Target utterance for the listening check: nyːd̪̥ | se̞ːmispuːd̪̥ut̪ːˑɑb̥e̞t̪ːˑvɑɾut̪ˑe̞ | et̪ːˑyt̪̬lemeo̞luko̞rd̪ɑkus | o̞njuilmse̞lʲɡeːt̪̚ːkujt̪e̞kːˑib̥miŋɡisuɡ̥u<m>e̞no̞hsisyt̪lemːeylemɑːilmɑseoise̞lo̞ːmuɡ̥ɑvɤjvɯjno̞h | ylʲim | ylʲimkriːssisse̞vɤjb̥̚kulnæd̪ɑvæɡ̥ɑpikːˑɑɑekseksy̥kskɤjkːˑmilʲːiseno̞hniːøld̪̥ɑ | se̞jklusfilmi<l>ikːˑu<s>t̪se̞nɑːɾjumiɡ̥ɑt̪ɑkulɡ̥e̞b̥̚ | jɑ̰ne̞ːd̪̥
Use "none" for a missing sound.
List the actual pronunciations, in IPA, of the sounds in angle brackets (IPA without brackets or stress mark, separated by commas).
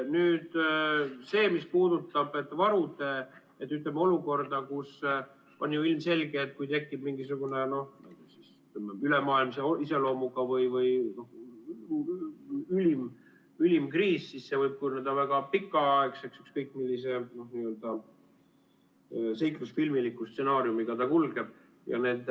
n, l, s